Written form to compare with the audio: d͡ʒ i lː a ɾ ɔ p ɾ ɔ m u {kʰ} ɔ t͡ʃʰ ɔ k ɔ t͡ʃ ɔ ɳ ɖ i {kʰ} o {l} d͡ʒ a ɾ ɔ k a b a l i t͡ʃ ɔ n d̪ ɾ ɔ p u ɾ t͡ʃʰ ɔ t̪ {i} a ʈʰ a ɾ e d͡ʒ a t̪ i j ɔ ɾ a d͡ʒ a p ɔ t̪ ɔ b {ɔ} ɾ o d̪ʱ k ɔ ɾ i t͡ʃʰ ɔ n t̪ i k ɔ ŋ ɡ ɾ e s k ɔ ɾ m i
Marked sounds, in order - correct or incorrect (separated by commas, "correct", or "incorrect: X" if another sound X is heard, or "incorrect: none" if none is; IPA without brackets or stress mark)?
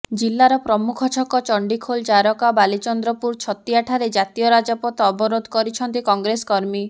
correct, correct, correct, correct, correct